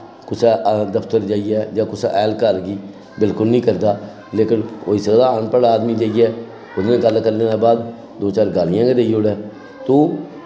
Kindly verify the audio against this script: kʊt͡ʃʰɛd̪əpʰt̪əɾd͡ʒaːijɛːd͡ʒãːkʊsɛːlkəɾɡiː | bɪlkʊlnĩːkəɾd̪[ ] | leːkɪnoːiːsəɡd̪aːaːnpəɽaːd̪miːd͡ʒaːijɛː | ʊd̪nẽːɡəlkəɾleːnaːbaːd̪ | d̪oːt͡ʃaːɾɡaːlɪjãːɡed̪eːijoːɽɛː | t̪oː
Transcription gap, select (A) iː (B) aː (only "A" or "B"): B